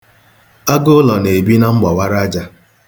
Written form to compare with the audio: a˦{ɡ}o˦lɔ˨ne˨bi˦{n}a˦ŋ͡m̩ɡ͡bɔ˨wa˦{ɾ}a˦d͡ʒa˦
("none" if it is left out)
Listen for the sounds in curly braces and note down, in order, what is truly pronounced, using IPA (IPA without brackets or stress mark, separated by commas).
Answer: ɡ, n, ɾ